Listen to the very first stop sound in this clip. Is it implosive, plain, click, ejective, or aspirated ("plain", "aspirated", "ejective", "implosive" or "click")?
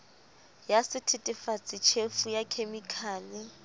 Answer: aspirated